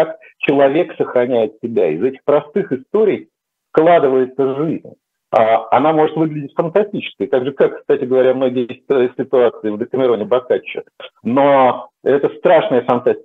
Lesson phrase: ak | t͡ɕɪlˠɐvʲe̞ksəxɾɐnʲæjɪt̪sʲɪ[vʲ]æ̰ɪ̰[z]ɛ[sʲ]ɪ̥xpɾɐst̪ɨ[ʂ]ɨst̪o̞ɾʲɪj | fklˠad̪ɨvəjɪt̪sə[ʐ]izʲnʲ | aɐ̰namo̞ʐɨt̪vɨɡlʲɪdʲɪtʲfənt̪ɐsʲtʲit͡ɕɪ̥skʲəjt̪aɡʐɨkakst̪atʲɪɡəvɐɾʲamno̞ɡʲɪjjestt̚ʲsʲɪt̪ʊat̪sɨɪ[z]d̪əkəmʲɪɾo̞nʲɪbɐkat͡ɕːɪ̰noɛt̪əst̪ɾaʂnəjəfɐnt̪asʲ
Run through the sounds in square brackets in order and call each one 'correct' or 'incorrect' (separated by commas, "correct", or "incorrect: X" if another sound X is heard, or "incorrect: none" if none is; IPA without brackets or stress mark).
incorrect: bʲ, correct, incorrect: tʲ, incorrect: x, correct, incorrect: v